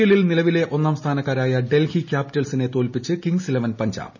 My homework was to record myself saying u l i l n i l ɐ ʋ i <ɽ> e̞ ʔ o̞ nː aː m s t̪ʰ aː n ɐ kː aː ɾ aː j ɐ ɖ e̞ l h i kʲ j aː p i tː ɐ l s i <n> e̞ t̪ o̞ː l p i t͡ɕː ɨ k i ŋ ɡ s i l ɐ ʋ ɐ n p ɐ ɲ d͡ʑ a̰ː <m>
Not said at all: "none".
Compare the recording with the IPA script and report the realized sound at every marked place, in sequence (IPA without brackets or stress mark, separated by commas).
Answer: l, n, b